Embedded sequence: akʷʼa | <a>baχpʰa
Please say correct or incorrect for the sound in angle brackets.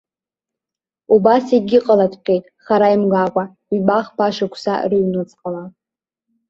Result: incorrect